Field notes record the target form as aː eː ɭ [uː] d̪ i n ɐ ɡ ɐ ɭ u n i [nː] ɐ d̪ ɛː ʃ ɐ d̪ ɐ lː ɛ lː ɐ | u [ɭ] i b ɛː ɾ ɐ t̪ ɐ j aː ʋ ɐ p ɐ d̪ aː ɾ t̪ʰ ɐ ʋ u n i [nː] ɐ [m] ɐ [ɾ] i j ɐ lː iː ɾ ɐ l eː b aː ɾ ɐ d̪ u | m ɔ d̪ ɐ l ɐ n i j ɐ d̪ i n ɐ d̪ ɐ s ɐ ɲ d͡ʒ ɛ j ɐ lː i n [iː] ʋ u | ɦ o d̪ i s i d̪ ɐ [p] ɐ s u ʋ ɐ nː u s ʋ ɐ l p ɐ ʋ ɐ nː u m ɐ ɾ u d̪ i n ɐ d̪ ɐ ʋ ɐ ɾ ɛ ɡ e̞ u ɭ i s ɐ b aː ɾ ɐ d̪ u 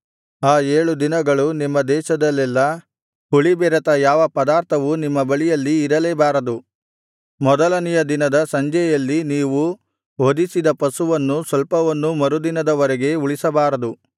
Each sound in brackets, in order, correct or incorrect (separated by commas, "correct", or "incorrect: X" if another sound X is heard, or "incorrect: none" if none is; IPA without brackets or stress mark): incorrect: u, incorrect: mː, correct, incorrect: mː, incorrect: b, incorrect: ɭ, correct, correct